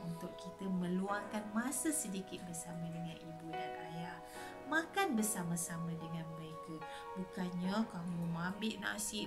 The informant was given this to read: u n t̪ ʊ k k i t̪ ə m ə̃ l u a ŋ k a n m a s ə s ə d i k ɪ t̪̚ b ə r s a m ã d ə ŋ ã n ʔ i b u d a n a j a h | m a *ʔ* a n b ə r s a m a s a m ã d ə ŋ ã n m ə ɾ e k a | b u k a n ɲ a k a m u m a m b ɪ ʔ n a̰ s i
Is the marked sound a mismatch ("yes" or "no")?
yes